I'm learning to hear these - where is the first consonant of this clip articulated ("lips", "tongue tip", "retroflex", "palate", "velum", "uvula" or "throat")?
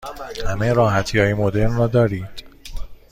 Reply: throat